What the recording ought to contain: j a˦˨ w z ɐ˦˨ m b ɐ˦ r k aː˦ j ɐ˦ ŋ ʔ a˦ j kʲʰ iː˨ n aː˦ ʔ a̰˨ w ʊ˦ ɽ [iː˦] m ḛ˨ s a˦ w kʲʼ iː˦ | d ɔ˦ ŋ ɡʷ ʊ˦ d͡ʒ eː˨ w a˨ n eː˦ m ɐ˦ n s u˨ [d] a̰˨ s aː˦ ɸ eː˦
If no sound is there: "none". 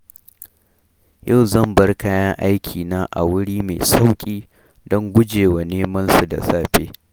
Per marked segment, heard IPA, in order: iː˦, d

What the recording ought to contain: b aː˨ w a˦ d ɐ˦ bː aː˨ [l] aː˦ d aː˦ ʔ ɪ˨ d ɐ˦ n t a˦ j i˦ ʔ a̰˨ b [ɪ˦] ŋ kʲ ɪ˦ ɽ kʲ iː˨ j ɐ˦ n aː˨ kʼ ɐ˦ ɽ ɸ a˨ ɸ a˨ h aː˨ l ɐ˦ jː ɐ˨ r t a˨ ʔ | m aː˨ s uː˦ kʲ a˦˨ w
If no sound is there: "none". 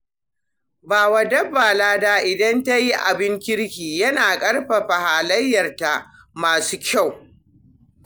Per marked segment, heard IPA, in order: l, ɪ˦

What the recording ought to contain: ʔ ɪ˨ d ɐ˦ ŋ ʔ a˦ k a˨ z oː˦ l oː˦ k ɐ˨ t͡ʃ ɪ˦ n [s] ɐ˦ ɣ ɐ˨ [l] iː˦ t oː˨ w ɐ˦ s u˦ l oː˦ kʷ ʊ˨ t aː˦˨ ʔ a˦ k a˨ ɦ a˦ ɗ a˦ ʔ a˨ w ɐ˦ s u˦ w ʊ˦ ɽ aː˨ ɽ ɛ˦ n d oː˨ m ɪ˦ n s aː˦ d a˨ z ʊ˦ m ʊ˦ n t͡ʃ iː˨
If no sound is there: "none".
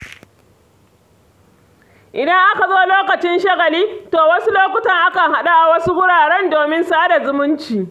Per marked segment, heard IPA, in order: ʃ, l

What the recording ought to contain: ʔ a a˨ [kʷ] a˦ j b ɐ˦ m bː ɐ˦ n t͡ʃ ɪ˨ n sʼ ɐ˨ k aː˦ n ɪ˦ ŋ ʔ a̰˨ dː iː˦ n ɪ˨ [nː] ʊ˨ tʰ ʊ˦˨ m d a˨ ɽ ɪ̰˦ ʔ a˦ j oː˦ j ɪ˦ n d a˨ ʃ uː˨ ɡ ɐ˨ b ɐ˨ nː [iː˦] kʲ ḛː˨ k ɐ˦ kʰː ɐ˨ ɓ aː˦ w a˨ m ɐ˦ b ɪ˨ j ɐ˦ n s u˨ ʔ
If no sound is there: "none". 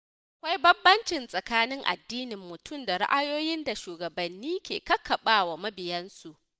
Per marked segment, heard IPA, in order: kʷ, mː, iː˦

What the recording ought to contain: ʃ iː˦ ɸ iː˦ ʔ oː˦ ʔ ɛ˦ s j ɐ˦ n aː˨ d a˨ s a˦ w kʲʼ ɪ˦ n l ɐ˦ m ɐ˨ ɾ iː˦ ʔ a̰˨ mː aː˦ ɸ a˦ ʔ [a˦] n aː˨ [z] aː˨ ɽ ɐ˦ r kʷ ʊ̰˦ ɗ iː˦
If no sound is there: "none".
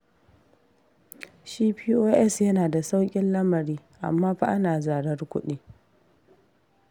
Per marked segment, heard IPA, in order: a˦, z

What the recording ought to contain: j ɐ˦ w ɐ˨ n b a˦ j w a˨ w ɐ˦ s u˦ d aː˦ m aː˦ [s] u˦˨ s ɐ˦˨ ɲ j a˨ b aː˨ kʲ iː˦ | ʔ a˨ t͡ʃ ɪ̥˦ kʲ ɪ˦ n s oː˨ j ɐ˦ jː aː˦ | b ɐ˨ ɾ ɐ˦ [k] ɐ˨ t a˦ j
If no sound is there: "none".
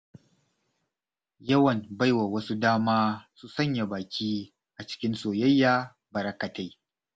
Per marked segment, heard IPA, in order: s, k

